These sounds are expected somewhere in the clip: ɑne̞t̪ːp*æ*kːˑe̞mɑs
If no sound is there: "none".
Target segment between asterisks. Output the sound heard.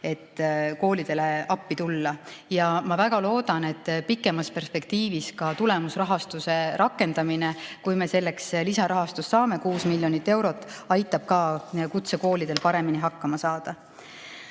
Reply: i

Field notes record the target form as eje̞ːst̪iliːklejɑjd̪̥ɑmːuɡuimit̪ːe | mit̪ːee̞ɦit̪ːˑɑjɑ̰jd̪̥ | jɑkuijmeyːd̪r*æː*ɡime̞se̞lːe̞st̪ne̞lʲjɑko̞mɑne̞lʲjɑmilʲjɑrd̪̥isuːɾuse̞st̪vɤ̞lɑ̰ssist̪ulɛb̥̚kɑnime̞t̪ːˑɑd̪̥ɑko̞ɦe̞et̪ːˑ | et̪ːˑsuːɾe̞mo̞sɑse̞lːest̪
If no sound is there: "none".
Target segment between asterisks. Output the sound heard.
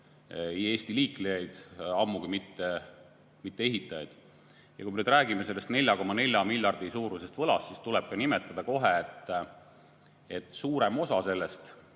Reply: æː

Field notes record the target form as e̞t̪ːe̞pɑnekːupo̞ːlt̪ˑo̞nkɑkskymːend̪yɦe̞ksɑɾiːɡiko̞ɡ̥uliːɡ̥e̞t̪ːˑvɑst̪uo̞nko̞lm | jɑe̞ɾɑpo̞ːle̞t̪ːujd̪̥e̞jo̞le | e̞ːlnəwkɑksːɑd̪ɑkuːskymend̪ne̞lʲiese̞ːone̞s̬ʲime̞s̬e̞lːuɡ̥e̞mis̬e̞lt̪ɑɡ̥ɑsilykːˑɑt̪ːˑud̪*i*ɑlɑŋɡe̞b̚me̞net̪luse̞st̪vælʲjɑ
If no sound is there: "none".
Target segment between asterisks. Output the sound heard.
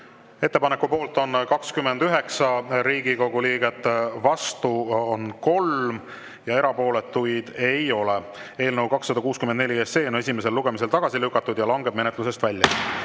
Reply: j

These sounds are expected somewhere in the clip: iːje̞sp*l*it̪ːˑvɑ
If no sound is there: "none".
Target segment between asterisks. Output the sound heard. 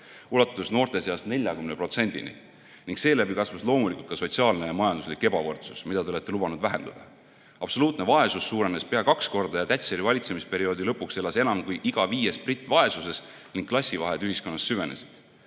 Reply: r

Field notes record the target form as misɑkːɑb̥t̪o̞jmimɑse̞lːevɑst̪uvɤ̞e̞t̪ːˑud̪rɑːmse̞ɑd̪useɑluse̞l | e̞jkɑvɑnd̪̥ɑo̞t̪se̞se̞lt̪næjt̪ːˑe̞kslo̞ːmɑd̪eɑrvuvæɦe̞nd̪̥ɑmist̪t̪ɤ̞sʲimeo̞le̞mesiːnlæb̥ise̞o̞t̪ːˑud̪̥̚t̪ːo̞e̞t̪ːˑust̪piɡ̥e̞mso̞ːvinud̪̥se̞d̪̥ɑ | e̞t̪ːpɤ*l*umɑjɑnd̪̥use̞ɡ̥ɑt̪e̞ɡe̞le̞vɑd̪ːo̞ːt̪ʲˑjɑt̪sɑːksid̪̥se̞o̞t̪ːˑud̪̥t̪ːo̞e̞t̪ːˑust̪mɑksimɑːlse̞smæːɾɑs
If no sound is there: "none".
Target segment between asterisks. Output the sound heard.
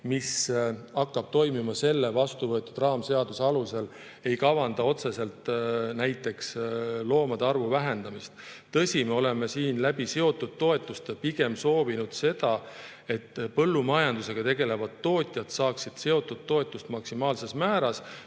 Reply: lː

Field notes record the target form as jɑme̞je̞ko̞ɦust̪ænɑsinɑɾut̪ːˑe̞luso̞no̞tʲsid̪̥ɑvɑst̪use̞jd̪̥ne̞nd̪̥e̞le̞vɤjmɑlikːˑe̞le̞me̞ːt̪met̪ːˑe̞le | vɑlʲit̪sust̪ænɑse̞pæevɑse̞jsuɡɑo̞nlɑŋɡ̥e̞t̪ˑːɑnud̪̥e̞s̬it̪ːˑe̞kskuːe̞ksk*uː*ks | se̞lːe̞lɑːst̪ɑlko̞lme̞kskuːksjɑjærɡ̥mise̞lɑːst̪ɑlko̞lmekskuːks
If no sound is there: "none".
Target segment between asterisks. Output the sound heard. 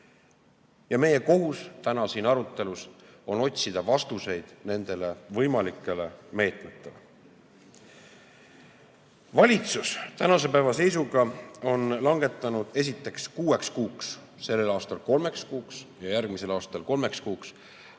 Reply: uː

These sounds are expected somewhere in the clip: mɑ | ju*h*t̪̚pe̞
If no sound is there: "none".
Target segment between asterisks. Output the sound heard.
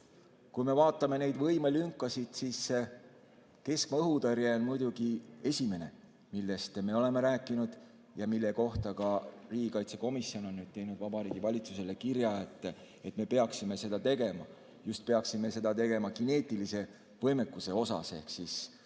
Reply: s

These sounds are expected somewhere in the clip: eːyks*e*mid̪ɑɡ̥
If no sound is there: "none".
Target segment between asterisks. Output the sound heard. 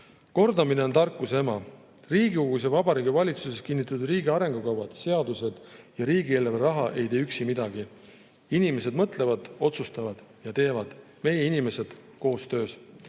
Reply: i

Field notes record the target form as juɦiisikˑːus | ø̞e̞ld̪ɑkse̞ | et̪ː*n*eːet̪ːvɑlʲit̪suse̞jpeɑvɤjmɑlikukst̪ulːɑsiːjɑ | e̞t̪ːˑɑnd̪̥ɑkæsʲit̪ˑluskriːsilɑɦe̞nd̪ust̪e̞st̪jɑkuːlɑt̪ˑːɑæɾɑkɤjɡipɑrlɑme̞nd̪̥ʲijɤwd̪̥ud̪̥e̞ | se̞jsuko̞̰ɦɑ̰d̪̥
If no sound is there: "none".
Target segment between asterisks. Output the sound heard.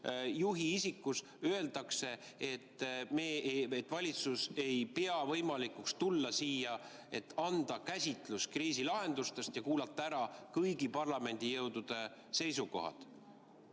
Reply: m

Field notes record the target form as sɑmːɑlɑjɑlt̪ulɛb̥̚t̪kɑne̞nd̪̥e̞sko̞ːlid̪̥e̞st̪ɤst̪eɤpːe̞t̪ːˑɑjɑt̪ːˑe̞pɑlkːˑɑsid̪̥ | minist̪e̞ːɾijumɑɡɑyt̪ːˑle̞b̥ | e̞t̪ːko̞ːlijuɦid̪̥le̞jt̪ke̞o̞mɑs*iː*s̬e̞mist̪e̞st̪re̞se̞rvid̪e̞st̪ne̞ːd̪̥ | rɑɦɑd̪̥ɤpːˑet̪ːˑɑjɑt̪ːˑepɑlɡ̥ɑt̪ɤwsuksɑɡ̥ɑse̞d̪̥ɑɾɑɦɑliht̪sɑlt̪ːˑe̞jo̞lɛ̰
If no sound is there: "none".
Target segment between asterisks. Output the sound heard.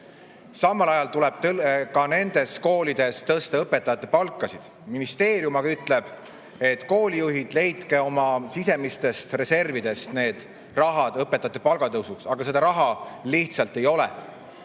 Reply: i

